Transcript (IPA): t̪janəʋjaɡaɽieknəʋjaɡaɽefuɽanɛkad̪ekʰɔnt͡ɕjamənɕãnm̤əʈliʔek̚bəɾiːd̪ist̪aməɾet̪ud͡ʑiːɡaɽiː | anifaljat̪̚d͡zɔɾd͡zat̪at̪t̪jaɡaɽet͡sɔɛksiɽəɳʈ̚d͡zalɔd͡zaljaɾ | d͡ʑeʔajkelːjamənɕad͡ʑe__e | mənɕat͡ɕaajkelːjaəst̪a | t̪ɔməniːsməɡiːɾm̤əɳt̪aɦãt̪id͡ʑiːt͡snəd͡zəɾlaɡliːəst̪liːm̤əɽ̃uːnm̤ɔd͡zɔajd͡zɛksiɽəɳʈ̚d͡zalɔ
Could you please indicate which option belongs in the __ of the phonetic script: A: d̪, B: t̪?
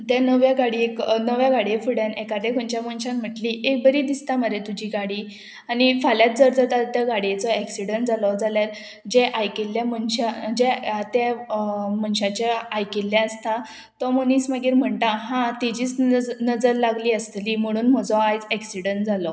B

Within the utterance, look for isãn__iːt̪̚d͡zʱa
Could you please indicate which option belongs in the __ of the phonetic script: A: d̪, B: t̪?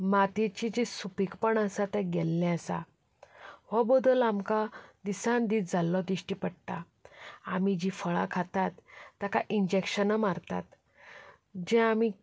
A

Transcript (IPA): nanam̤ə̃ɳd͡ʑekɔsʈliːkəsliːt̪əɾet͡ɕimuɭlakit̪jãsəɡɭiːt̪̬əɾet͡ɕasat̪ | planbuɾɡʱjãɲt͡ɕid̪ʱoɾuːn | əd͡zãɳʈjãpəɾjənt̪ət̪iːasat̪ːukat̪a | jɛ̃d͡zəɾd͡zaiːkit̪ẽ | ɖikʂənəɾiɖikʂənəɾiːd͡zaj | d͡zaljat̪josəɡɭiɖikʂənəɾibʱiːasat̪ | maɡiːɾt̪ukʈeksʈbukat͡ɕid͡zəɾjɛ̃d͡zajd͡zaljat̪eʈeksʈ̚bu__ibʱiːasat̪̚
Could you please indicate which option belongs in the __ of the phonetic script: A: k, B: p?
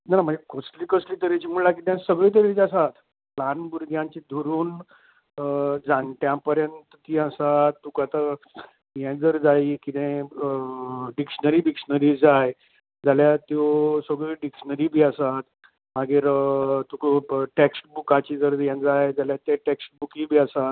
A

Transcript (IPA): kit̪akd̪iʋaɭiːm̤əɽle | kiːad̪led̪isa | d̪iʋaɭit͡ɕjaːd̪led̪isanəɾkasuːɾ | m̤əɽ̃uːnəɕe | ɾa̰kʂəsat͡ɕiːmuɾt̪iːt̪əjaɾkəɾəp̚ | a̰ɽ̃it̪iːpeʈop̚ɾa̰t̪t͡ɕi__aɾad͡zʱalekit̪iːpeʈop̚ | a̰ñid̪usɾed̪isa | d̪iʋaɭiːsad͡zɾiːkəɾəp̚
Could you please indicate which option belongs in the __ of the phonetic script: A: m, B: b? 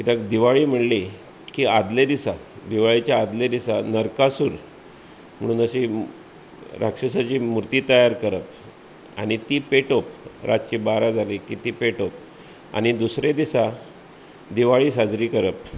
B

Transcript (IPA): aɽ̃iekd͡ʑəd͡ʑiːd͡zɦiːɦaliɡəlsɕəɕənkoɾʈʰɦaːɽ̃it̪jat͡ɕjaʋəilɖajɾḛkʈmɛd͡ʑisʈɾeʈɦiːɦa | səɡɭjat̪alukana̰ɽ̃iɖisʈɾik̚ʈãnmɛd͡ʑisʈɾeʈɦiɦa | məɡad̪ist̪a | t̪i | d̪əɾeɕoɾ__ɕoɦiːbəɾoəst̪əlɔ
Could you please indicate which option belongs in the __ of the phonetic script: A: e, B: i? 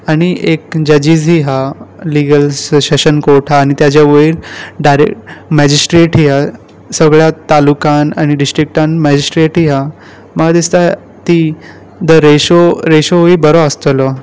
A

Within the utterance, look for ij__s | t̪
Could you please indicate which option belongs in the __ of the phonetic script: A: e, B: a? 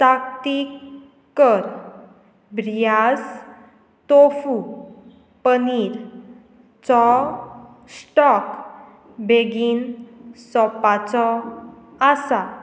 B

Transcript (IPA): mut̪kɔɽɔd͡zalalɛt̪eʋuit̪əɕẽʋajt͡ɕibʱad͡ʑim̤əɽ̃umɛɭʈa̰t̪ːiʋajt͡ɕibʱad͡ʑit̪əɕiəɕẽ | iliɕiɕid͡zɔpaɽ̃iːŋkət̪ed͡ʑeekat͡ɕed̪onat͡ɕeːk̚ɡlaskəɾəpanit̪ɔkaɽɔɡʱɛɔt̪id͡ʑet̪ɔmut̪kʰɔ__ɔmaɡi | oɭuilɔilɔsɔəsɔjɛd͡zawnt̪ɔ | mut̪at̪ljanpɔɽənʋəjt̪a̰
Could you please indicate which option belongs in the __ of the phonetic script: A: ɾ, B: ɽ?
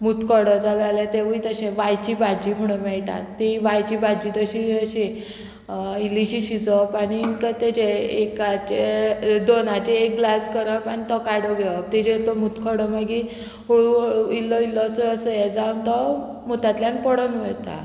B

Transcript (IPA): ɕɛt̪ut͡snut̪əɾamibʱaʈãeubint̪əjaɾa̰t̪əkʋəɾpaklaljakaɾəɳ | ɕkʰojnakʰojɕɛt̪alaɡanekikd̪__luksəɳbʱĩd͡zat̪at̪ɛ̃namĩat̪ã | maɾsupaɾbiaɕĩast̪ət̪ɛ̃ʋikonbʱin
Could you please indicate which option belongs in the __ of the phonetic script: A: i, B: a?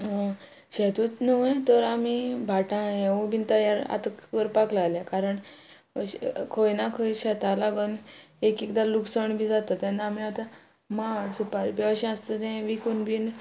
B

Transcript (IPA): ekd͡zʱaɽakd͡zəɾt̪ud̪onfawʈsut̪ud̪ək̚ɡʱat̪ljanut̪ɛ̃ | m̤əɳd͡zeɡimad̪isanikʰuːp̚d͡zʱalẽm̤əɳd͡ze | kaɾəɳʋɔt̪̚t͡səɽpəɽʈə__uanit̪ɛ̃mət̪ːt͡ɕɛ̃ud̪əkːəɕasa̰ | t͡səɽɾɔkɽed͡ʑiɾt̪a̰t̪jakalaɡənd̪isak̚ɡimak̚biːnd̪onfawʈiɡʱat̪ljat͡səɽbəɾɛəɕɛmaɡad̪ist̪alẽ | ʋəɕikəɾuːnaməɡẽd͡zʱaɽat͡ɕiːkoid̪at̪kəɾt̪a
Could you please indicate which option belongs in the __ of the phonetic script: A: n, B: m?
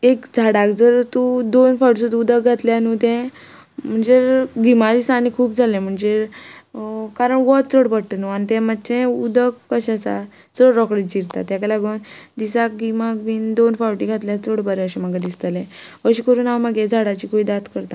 A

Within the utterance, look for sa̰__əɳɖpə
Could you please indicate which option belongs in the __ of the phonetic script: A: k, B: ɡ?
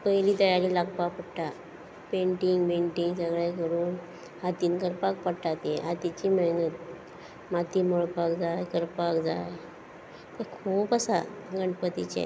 B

